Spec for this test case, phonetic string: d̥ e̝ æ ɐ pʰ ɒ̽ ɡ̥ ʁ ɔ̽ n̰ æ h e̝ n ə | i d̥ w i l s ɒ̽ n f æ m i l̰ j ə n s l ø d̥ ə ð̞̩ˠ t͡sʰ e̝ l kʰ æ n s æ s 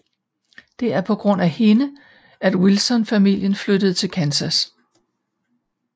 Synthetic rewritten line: d̥ e̝ æ ɐ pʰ ɒ̽ ɡ̥ ʁ ɔ̽ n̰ æ h e̝ n ə | æ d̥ w i l s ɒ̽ n f æ m i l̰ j ə n f l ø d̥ ə ð̞̩ˠ t͡sʰ e̝ l kʰ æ n s æ s